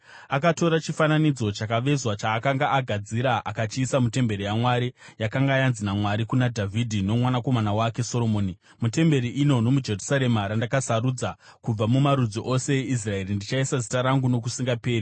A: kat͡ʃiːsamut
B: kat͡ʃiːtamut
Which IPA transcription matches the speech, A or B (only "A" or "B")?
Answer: A